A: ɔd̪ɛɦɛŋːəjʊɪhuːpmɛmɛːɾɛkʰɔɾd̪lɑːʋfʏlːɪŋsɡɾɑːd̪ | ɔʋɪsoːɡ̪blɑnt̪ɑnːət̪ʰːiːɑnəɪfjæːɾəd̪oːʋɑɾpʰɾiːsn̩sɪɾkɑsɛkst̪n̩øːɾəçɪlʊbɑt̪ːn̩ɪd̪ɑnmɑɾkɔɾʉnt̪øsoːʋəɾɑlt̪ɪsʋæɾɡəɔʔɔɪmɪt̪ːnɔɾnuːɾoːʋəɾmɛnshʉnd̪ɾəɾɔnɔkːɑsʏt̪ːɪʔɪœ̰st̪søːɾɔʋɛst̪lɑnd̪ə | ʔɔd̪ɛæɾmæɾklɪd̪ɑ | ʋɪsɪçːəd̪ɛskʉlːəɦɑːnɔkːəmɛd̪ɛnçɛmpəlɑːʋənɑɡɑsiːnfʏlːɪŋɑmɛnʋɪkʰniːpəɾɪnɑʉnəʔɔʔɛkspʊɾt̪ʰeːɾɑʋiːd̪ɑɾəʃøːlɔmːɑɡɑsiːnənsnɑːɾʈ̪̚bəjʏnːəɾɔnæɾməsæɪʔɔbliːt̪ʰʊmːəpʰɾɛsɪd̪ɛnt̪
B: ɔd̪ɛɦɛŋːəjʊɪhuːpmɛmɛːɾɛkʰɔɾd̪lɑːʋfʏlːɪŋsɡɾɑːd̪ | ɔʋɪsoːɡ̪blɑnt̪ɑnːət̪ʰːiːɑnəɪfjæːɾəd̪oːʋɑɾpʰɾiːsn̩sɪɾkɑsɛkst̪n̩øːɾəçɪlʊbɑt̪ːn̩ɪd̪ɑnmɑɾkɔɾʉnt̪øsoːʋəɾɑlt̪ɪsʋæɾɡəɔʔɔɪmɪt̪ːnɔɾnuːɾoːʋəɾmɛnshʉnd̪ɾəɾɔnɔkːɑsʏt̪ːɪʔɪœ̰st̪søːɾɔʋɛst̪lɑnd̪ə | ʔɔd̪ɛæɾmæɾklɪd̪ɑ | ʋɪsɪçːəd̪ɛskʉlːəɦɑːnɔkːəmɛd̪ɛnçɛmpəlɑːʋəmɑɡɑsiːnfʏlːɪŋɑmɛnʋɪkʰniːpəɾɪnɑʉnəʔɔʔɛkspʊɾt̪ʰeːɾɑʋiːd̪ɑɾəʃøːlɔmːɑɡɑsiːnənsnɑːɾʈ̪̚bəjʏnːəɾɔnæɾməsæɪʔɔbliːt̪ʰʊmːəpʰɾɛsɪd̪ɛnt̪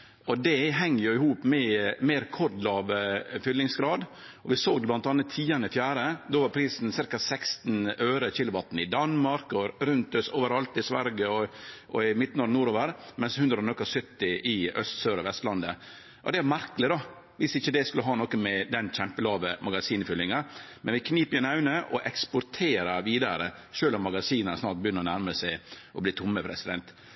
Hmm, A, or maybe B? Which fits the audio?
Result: B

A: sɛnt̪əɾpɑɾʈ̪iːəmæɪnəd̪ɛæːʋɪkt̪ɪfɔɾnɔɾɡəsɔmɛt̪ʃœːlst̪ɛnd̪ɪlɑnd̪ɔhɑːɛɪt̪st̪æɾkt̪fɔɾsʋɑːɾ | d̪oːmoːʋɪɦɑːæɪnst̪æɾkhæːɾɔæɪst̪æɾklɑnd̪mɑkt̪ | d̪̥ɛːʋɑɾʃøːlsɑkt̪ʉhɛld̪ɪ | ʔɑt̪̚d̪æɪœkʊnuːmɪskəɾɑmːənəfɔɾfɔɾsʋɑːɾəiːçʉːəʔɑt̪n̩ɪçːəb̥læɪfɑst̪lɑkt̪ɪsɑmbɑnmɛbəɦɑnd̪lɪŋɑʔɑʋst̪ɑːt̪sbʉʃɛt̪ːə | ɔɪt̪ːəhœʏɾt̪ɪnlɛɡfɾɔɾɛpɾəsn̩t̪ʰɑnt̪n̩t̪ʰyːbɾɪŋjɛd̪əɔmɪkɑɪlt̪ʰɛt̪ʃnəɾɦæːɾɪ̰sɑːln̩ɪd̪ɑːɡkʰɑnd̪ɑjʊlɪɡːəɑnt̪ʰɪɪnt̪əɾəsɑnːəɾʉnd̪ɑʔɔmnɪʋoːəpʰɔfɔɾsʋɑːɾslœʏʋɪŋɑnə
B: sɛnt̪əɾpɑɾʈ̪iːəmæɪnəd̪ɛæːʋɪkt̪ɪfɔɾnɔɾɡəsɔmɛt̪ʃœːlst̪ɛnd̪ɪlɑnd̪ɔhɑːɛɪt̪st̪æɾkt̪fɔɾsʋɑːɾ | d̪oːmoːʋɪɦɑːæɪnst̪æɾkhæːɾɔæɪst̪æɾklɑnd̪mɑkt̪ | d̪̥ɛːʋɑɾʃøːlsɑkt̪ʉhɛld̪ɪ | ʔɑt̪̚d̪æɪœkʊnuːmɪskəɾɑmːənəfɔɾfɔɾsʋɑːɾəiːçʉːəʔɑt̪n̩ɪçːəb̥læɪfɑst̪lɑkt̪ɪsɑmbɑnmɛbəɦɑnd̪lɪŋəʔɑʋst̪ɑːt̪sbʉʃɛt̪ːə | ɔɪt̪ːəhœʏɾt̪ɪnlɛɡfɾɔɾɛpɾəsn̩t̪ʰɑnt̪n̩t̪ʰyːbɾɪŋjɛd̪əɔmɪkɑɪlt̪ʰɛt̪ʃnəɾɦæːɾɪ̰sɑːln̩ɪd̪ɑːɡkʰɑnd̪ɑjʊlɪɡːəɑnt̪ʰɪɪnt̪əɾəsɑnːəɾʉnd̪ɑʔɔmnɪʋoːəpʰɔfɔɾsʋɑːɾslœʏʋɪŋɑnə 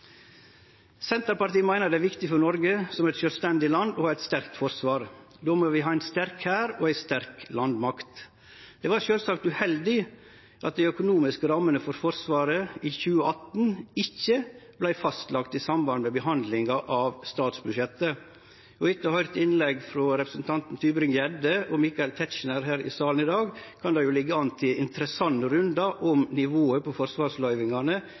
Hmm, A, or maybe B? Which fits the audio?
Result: A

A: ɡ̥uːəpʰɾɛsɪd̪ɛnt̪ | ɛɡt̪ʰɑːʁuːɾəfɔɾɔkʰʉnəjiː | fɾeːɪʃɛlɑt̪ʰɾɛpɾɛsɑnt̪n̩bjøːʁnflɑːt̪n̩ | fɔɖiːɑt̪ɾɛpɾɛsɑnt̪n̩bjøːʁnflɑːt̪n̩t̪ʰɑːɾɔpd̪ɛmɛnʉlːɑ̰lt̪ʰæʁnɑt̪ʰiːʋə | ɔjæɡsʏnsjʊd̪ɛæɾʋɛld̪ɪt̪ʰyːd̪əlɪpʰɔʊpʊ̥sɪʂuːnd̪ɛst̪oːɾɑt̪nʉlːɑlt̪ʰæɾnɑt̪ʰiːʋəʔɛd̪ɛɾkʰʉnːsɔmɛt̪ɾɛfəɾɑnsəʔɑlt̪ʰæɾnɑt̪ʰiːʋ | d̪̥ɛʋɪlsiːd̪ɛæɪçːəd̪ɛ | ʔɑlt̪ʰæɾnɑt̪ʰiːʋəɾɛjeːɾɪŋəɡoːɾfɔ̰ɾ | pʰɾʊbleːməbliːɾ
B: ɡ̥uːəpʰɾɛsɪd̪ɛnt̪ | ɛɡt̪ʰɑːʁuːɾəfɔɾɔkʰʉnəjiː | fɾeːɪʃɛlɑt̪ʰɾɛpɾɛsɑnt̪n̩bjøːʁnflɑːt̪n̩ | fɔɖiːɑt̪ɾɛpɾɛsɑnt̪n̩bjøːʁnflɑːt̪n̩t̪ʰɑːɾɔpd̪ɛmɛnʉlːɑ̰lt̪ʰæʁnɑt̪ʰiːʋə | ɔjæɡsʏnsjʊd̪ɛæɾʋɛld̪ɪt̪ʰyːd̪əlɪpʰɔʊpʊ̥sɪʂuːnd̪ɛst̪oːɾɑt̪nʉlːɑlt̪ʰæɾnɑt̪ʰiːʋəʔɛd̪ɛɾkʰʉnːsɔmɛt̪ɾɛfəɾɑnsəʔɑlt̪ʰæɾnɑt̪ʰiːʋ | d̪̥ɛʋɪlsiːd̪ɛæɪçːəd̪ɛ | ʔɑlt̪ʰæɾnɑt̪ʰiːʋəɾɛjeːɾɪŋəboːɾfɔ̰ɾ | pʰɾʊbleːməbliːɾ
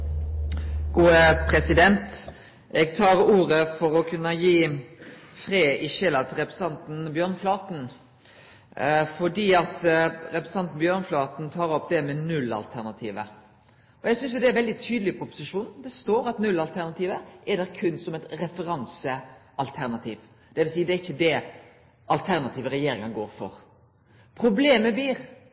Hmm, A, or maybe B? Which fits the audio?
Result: A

